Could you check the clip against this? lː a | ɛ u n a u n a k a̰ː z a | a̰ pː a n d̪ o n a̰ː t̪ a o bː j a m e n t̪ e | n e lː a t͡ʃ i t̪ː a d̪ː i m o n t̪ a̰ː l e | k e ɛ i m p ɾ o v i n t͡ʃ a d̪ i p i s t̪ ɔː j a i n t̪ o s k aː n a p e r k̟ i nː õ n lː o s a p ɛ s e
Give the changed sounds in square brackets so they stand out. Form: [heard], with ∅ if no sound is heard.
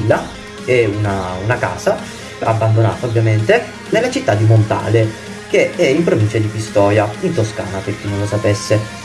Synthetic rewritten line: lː a | ɛ u n a u n a k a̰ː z a | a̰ [bː] a n d̪ o n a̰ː t̪ a o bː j a m e n t̪ e | n e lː a t͡ʃ i t̪ː a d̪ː i m o n t̪ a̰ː l e | k e ɛ i m p ɾ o v i n t͡ʃ a d̪ i p i s t̪ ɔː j a i n t̪ o s k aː n a p e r k̟ i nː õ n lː o s a p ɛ [sː] e

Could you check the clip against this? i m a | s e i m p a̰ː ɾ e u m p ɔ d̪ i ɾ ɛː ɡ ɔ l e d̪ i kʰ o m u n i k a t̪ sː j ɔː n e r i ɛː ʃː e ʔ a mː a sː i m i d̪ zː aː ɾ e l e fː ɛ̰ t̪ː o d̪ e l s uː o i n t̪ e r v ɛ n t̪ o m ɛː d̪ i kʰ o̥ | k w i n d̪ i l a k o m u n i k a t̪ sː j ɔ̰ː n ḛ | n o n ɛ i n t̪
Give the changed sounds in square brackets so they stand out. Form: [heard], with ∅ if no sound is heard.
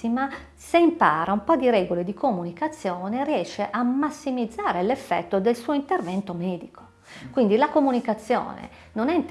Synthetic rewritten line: i m a | s e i m p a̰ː ɾ [a] u m p ɔ d̪ i ɾ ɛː ɡ [o] l e d̪ i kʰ o m u n i k a t̪ sː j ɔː n e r i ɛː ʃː e ʔ a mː a sː i m i d̪ zː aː ɾ e l e fː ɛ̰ t̪ː o d̪ e l s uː o i n t̪ e r v ɛ n t̪ o m ɛː d̪ i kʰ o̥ | k w i n d̪ i l a k o m u n i k a t̪ sː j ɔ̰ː n ḛ | n o n ɛ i n t̪

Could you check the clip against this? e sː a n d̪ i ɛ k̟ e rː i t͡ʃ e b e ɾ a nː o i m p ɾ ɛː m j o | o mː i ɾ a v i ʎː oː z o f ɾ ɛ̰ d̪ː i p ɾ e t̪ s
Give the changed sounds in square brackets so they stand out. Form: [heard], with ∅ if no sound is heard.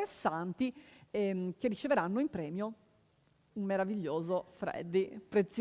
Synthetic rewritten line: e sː a n [t̪] i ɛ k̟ e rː i t͡ʃ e [v] e ɾ a nː o i m p ɾ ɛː m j o | [u] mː [e] ɾ a v i ʎː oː z o f ɾ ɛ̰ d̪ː i p ɾ e t̪ s

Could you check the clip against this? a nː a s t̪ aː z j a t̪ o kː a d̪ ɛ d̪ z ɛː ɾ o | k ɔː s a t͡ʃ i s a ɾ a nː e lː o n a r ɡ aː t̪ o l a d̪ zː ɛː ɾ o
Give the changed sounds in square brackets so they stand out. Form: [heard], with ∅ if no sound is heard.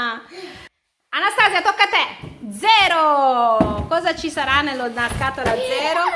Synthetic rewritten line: a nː a s t̪ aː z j a t̪ o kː a [t̪] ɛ d̪ z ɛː ɾ o | k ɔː [z] a t͡ʃ i s a ɾ a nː e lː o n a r [k] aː t̪ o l a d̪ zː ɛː ɾ o

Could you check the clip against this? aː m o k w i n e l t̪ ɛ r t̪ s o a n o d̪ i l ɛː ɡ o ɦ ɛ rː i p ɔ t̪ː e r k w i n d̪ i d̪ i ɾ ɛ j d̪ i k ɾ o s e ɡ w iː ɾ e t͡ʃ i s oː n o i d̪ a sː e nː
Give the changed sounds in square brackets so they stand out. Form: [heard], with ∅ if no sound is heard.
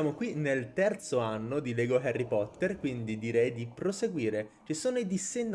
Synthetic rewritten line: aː m o k w i n e l t̪ ɛ r t̪ s o a [nː] o d̪ i l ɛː ɡ o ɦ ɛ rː i p ɔ t̪ː e r k w i n d̪ i d̪ i ɾ ɛ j d̪ i [p] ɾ o s e ɡ w iː ɾ e t͡ʃ i s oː n o i d̪ [i] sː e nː

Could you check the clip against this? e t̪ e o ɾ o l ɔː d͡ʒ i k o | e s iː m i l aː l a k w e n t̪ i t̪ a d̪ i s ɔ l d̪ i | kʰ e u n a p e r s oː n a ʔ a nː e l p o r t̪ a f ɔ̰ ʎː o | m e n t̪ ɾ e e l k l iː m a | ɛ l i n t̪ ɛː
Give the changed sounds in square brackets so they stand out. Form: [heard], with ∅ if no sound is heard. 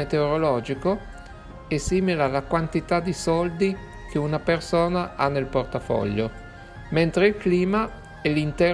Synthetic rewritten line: e t̪ e o ɾ o l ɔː d͡ʒ i k o | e s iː m i l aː l a k w [a] n t̪ i t̪ a d̪ i s ɔ l d̪ i | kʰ e u n a p e r s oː n a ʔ a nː e l p o r t̪ a f ɔ̰ ʎː o | m e n t̪ ɾ e [i] l k l iː m a | ɛ l i n t̪ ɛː

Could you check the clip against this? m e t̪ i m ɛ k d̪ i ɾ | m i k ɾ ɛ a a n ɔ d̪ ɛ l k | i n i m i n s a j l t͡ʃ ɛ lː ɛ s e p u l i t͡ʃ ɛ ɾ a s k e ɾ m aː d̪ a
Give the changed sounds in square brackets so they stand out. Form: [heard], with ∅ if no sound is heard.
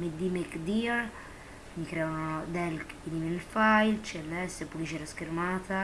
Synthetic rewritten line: m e [d̪] i m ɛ k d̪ i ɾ | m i k ɾ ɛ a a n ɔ d̪ ɛ l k | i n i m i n [f] a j l t͡ʃ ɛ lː ɛ s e p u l i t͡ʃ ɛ ɾ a s k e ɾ m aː [t̪] a

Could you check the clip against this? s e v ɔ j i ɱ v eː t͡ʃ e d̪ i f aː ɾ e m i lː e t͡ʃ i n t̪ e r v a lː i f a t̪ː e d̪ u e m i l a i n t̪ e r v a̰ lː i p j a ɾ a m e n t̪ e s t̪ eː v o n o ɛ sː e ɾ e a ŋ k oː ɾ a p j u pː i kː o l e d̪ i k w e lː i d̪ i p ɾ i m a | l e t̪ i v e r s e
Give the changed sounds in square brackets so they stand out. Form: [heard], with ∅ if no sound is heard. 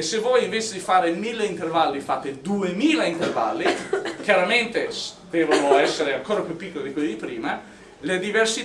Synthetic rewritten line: s e v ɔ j i ɱ v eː t͡ʃ e d̪ i f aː ɾ e m i lː e [∅] i n t̪ e r v a lː i f a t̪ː e d̪ u e m [iː] l a i n t̪ e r v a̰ lː i [k] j a ɾ a m e n t̪ e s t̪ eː v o n o ɛ sː e ɾ e a ŋ k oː ɾ a p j u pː i kː o l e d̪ i k w e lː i d̪ i p ɾ [iː] m a | l e [d̪] i v e r s [i]

